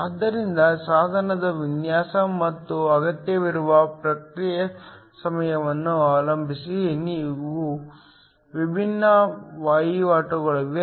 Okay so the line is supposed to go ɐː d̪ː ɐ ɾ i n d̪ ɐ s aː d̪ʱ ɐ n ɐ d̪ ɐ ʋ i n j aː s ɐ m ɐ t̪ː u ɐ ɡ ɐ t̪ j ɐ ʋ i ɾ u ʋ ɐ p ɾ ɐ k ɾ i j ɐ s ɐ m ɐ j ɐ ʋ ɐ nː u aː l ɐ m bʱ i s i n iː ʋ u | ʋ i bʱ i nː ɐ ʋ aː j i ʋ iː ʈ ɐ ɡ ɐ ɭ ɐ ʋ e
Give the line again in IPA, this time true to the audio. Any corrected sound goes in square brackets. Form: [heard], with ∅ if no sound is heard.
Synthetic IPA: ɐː d̪ː ɐ ɾ i n d̪ ɐ s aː d̪ʱ ɐ n ɐ d̪ ɐ ʋ i n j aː s ɐ m ɐ t̪ː u ɐ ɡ ɐ t̪ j ɐ ʋ i ɾ u ʋ ɐ p ɾ ɐ k ɾ i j ɐ s ɐ m ɐ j ɐ ʋ ɐ nː u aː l ɐ m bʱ i s i n iː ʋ u | ʋ i bʱ i nː ɐ ʋ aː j i ʋ [aː] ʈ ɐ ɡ ɐ ɭ ɐ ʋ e